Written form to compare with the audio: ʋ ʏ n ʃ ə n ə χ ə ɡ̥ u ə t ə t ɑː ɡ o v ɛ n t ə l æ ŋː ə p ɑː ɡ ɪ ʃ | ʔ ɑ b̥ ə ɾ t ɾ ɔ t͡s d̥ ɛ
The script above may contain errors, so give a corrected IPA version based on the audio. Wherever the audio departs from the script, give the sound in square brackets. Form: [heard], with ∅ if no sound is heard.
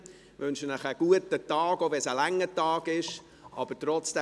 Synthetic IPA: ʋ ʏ n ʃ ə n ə χ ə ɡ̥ u ə t ə t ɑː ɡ o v ɛ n [s] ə l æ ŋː ə [t] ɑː ɡ ɪ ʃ | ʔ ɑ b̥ ə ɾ t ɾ ɔ t͡s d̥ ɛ

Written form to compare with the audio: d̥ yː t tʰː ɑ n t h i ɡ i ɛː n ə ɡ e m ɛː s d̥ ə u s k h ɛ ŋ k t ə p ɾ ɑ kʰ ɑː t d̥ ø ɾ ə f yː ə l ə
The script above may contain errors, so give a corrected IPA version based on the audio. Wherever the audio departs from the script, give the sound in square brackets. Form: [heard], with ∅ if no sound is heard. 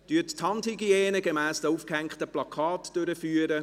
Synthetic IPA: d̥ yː t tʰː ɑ n t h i ɡ i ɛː n ə ɡ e m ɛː s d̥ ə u [f] k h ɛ ŋ k t ə p [l] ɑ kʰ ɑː t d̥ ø ɾ ə f yː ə [ɾ] ə

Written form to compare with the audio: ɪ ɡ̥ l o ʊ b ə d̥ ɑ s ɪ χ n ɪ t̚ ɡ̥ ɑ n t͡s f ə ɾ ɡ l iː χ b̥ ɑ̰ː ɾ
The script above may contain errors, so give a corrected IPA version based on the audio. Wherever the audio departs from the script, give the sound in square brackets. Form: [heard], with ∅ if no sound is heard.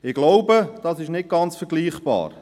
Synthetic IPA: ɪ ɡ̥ l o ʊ b ə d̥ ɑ s ɪ [ʃ] n ɪ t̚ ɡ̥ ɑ n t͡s f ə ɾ ɡ l iː χ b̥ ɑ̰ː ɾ

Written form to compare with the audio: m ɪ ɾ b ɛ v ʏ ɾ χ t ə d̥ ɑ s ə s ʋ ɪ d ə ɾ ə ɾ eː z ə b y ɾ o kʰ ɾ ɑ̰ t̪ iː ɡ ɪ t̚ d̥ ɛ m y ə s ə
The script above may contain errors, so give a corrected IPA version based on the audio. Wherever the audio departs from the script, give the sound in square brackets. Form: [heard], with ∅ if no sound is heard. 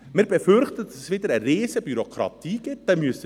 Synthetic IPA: m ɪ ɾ b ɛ [f] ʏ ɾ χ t ə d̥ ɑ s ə s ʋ ɪ d ə ɾ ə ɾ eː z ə b y ɾ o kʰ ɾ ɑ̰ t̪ iː ɡ ɪ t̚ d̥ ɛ m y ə s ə

